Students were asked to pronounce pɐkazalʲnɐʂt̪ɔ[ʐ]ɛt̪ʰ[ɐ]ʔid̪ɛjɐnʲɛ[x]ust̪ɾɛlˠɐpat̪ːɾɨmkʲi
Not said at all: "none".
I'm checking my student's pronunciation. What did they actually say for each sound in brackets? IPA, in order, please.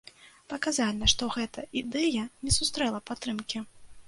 ɣ, ɐ, s

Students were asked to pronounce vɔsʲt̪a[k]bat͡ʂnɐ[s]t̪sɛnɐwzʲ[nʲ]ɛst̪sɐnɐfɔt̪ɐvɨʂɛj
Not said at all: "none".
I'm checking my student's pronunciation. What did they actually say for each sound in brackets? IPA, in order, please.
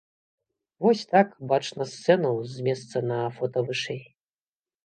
k, s, mʲ

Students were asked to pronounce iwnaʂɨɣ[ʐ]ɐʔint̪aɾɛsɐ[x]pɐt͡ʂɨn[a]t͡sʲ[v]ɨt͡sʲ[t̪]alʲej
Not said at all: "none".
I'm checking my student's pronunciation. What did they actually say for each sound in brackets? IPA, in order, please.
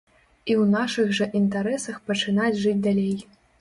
ʐ, x, a, ʐ, d̪

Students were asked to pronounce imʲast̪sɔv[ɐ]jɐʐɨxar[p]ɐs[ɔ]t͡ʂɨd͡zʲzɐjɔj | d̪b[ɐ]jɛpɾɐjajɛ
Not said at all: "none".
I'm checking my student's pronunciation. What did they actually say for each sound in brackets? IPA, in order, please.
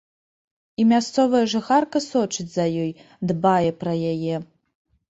ɐ, k, ɔ, a

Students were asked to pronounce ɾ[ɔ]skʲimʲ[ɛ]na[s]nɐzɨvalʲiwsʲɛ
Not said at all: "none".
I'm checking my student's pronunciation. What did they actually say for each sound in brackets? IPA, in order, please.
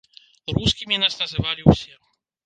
u, i, s

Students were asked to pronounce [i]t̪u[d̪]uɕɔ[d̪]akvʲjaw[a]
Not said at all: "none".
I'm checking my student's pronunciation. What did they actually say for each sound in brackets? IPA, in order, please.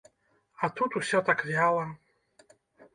a, t̪, t̪, a

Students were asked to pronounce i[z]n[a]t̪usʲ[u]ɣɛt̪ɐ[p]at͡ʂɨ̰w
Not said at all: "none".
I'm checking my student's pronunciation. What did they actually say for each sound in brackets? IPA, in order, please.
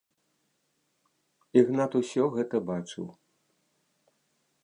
ɣ, a, ɔ, b

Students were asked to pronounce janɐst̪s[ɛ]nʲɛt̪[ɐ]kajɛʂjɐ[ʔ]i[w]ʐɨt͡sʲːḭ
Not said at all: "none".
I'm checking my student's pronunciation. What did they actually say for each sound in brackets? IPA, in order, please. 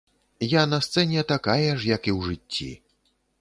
ɛ, a, k, w

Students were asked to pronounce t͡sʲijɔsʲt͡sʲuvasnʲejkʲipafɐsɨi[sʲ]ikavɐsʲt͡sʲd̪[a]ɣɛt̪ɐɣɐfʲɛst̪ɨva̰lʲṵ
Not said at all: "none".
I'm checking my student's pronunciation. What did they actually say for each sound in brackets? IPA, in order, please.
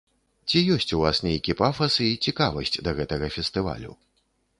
t͡sʲ, ɐ

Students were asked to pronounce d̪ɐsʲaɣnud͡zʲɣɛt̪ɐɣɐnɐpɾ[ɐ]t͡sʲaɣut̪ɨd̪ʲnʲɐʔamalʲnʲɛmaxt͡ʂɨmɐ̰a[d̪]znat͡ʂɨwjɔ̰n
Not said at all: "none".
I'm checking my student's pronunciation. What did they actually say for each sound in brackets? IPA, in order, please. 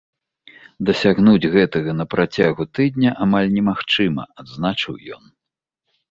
a, d̪

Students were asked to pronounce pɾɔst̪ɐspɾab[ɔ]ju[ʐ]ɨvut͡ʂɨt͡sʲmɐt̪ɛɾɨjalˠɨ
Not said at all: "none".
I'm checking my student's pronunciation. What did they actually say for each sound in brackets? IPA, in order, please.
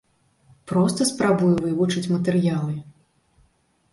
u, v

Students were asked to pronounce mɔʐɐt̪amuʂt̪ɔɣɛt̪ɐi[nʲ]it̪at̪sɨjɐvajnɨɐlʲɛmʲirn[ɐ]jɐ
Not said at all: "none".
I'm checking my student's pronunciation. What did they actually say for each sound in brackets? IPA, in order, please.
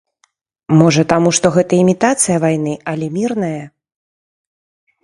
mʲ, ɐ

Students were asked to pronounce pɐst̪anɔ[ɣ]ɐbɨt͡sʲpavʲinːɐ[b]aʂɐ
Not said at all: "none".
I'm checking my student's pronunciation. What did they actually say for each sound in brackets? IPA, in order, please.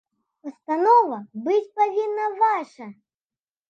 v, v

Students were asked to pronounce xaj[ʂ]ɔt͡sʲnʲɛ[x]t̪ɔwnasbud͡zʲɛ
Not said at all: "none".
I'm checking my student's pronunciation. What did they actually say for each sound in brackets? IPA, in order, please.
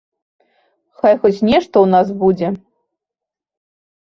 x, ʂ

